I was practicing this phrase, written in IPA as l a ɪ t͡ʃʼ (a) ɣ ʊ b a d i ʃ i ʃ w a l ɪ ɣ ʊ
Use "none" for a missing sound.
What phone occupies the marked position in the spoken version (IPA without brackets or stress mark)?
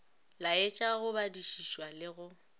a